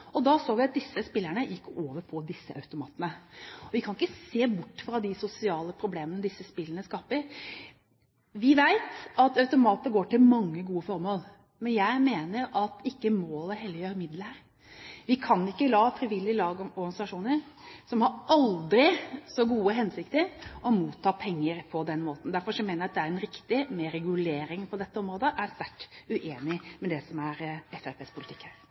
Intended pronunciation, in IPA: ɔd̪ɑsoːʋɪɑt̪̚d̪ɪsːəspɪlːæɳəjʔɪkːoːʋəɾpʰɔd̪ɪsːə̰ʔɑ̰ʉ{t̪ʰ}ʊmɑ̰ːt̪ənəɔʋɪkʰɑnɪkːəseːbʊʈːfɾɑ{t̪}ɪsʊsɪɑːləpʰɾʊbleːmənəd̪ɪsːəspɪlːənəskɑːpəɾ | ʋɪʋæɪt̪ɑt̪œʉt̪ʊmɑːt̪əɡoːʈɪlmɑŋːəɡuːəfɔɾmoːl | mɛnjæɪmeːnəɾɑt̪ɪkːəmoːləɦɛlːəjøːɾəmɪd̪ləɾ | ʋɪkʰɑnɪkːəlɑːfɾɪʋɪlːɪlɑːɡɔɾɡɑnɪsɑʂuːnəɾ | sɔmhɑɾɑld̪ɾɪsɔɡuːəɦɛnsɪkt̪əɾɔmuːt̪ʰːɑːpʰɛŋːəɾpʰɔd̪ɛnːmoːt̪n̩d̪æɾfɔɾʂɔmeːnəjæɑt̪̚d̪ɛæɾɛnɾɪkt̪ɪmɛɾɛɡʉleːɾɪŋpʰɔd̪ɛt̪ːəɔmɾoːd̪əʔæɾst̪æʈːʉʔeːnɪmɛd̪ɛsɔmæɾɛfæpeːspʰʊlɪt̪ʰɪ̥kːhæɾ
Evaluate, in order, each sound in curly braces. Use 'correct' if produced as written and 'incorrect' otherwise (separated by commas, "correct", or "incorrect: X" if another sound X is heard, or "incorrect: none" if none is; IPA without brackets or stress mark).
incorrect: t̪, incorrect: d̪